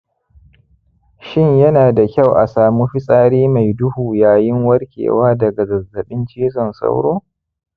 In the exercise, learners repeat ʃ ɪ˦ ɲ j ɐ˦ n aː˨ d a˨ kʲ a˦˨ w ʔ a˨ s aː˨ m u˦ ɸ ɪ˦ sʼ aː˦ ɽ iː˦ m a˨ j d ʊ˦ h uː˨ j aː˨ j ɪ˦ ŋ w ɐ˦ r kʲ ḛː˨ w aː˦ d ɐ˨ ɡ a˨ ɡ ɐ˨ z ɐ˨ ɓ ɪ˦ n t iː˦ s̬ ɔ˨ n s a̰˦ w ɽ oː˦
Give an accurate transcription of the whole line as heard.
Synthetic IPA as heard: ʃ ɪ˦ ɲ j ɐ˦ n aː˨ d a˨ kʲ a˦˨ w ʔ a˨ s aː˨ m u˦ ɸ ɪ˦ sʼ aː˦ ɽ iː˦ m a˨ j d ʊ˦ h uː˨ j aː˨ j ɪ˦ ŋ w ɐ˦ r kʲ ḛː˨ w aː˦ d ɐ˨ ɡ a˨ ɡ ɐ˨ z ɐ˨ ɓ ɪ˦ n t͡ʃ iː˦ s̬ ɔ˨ n s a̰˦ w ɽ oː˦

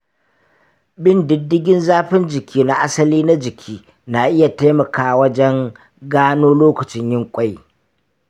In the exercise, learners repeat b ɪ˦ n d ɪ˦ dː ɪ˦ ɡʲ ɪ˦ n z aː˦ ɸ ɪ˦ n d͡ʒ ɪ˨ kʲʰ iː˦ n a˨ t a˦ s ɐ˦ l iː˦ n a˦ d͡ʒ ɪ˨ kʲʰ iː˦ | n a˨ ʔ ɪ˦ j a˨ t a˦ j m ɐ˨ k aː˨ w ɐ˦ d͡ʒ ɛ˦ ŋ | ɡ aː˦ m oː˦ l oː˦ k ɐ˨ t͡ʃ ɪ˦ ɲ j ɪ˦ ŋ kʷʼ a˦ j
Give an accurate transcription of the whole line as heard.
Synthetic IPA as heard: b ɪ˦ n d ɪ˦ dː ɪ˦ ɡʲ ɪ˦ n z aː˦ ɸ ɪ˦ n d͡ʒ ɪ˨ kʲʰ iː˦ n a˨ ʔ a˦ s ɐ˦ l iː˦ n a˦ d͡ʒ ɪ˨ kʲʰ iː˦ | n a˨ ʔ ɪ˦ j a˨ t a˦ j m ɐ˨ k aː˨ w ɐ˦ d͡ʒ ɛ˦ ŋ | ɡ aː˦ n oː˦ l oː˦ k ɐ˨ t͡ʃ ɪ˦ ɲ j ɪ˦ ŋ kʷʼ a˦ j

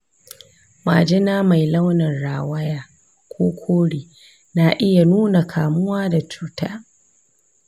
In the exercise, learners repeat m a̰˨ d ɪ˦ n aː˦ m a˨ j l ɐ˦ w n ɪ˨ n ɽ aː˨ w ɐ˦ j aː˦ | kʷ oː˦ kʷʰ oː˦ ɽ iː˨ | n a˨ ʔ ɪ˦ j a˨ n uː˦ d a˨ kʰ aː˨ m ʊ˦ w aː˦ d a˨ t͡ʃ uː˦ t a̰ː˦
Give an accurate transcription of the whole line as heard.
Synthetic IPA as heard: m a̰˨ d͡ʒ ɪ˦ n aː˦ m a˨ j l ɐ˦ w n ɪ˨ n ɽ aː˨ w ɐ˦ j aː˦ | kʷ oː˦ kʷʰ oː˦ ɽ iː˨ | n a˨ ʔ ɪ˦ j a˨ n uː˦ n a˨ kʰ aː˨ m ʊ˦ w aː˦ d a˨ t͡ʃ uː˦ t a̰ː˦

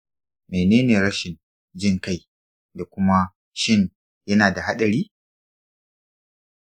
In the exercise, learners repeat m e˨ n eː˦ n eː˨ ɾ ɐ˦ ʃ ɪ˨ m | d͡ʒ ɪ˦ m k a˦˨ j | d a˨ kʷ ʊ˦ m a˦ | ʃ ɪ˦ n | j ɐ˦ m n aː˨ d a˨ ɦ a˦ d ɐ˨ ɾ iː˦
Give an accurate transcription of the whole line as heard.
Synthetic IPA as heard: m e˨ n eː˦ n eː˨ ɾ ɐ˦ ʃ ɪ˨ n | d͡ʒ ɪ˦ ŋ k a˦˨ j | d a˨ kʷ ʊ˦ m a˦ | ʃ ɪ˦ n | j ɐ˦ n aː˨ d a˨ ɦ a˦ ɗ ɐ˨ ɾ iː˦

